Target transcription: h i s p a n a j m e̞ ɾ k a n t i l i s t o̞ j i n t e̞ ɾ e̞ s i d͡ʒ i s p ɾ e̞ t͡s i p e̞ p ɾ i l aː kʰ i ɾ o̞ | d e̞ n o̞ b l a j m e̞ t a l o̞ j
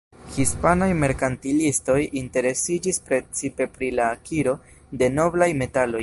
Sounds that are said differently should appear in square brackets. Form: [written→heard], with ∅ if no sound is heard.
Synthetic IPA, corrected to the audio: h i s p a n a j m e̞ ɾ k a n t i l i s t o̞ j i n t e̞ ɾ e̞ s i d͡ʒ i s p ɾ e̞ t͡s i p e̞ p ɾ i l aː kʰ i ɾ o̞ | d e̞ n o̞ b l a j m e̞ t a l o̞ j